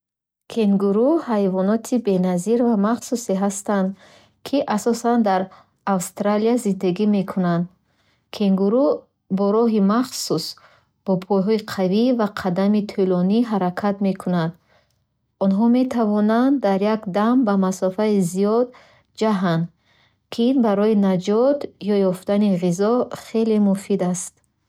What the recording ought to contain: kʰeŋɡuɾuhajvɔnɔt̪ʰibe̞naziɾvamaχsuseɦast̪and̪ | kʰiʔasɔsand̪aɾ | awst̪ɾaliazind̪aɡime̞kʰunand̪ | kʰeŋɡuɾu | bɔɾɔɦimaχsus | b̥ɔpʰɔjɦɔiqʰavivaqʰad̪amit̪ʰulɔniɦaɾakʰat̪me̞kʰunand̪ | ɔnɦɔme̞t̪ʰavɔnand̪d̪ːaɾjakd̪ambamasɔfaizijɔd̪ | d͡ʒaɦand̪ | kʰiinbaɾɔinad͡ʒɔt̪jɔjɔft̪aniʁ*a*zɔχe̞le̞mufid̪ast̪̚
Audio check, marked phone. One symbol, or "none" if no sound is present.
i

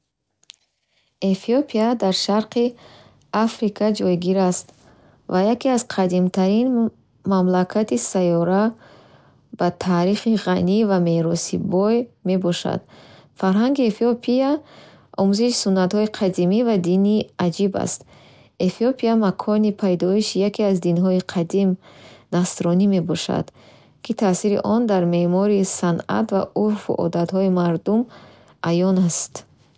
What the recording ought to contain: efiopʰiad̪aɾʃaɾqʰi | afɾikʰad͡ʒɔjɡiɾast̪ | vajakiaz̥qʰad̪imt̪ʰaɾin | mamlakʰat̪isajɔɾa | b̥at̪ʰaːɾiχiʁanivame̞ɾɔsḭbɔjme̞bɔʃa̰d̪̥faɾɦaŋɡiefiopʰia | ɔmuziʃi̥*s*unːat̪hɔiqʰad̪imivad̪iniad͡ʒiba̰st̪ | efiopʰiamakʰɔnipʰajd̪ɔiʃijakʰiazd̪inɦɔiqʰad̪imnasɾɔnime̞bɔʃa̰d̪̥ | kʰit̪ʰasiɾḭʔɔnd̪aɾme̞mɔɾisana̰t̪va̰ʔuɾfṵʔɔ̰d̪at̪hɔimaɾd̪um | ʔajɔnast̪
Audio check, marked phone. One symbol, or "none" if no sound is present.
s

